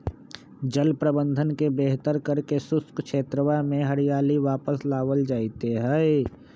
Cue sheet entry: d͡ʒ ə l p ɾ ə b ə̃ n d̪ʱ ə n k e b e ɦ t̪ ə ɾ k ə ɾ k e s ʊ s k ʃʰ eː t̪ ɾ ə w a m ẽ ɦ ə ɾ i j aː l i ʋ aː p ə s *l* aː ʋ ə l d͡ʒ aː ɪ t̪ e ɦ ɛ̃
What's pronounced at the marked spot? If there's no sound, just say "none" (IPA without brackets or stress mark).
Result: l